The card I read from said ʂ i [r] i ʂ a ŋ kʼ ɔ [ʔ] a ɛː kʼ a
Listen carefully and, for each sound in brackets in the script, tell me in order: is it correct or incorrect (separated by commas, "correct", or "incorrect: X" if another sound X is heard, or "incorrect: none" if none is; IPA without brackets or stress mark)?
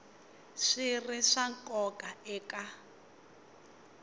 correct, incorrect: k